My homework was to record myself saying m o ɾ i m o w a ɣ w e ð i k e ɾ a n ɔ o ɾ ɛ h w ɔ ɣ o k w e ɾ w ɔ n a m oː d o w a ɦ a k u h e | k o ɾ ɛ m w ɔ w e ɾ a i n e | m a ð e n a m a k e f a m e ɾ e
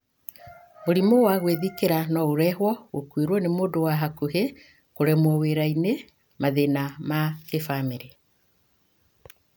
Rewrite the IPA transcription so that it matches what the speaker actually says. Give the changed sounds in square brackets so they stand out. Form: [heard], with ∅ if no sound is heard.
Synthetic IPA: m o ɾ i m o w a ɣ w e ð i k e ɾ a n ɔ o ɾ ɛ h w ɔ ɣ o k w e ɾ w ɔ n [e] m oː d o w a ɦ a k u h e | k o ɾ ɛ m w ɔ w e ɾ a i n e | m a ð e n a m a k e f a m e ɾ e